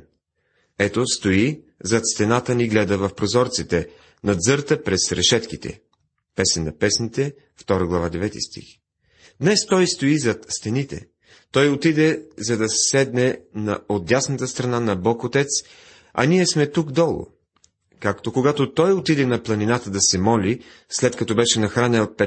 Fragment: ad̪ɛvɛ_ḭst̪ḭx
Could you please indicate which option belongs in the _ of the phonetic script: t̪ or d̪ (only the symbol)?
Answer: t̪